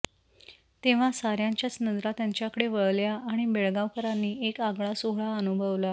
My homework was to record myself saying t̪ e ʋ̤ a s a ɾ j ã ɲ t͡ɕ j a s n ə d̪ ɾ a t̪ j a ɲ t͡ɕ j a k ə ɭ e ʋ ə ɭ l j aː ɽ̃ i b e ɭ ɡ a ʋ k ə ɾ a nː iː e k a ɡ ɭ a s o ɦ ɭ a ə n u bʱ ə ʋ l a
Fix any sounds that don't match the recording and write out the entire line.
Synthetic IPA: t̪ e ʋ̤ a s a ɾ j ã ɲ t͡ɕ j a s n ə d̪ ɾ a t̪ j a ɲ t͡ɕ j a k ə ɽ e ʋ ə ɭ l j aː ɽ̃ i b e ɭ ɡ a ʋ k ə ɾ a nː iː e k a ɡ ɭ a s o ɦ ɭ a ə n u bʱ ə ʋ l a